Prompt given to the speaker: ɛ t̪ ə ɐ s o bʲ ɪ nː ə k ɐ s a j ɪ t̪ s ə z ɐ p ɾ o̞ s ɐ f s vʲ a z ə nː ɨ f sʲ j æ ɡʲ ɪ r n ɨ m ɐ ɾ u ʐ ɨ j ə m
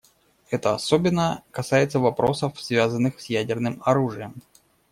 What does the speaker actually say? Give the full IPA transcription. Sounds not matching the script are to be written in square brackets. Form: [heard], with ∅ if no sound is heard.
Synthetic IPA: ɛ t̪ ə ɐ s o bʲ ɪ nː ə k ɐ s a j ɪ t̪ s ə [v] ɐ p ɾ o̞ s [ə] f s vʲ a z ə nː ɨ [x] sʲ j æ [dʲ] ɪ r n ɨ m ɐ ɾ u ʐ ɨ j ə m